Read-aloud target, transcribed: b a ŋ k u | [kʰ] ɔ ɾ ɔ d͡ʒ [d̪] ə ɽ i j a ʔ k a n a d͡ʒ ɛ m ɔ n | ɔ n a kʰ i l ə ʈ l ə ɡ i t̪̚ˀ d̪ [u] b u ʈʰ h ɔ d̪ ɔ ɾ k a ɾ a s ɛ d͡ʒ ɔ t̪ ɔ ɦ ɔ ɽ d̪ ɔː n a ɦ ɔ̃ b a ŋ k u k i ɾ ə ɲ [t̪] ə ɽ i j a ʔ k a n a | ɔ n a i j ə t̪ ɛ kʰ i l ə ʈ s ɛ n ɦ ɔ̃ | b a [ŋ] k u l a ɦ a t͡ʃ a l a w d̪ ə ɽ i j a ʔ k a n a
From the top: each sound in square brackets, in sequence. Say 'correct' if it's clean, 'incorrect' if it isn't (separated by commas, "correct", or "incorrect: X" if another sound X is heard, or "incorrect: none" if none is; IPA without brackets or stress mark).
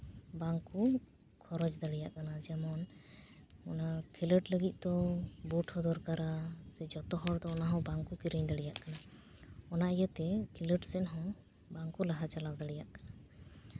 correct, correct, incorrect: ɔ, incorrect: d̪, correct